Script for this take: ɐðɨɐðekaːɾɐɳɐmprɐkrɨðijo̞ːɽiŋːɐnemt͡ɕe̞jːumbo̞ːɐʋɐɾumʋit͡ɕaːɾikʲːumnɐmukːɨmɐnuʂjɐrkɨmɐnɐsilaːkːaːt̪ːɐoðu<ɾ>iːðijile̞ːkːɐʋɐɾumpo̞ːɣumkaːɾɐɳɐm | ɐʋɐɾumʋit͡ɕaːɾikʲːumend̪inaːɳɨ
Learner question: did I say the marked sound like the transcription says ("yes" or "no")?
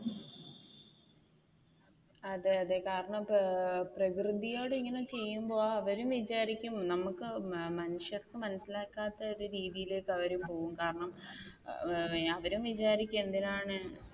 yes